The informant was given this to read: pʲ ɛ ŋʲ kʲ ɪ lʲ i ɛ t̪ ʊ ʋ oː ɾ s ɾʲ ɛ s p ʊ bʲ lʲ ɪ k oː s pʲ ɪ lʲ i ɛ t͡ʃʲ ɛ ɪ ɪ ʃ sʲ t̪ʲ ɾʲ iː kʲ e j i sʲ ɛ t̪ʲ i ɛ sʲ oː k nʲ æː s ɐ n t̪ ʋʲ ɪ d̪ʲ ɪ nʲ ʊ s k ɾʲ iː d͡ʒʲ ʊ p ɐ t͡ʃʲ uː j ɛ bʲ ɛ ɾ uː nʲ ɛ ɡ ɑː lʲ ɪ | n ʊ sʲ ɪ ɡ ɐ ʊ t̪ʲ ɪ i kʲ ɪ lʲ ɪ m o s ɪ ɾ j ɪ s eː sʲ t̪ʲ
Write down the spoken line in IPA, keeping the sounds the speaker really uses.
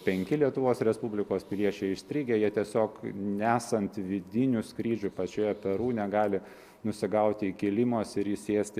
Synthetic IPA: pʲ ɛ ŋʲ kʲ ɪ lʲ i ɛ t̪ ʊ ʋ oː s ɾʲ ɛ s p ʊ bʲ lʲ ɪ k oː s pʲ ɪ lʲ i ɛ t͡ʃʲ ɛ ɪ ɪ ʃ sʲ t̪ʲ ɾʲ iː ɡʲ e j i ɛ t̪ʲ i ɛ sʲ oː k nʲ æː s ɐ n t̪ ʋʲ ɪ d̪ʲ ɪ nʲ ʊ s k ɾʲ iː d͡ʒʲ ʊ p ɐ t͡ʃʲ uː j ɛ pʲ ɛ ɾ uː nʲ ɛ ɡ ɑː lʲ ɪ | n ʊ sʲ ɪ ɡ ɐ ʊ t̪ʲ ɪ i kʲ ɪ lʲ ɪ m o s ɪ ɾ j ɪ s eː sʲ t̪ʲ